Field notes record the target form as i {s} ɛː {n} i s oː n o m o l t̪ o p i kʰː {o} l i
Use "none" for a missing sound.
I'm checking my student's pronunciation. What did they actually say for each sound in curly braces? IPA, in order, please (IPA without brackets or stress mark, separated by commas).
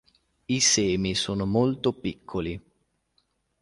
s, m, o